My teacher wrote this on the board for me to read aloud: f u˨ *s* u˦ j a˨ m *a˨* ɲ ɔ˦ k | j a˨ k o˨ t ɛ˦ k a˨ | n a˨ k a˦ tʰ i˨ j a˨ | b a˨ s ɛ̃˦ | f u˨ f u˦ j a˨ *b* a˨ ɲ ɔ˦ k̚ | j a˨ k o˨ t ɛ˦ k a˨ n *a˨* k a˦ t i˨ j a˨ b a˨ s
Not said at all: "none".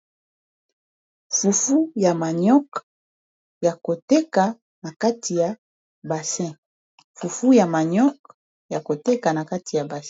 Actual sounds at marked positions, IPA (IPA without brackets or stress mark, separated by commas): f, a˨, m, a˨